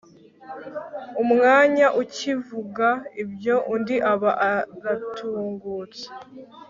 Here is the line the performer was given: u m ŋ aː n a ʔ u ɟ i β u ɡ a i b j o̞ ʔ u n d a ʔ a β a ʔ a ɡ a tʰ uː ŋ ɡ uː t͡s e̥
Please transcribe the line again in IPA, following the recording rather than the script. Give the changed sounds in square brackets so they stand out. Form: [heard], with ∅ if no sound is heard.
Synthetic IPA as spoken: u m ŋ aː [ɲ] a ʔ u [c] i [v] u ɡ a i b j o̞ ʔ u n d [i] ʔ a β a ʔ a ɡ a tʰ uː ŋ ɡ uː t͡s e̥